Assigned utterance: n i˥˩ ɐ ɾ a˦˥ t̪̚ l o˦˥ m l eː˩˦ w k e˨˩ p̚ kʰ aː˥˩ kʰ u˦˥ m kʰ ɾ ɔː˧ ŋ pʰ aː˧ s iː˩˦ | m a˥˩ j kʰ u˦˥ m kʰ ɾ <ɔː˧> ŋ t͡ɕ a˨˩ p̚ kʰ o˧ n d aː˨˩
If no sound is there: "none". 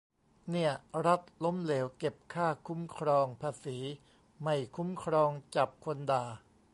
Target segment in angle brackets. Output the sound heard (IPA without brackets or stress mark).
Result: ɔː˧